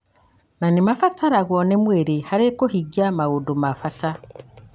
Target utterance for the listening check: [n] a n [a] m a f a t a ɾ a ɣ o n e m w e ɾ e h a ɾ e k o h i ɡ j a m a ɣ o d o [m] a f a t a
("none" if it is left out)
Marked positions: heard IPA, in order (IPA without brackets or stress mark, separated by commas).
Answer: n, i, m